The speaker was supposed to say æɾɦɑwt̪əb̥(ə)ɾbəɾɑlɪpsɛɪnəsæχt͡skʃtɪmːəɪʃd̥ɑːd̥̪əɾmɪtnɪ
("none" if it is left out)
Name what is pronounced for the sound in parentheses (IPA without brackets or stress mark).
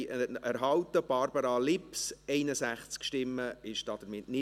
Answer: ɑ